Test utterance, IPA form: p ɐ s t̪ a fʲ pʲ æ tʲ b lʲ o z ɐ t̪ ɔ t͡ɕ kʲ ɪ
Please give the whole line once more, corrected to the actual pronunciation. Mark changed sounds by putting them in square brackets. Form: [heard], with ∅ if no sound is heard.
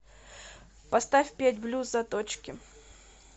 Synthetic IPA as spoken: p ɐ s t̪ a fʲ pʲ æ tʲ b lʲ [u] z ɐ t̪ [o] t͡ɕ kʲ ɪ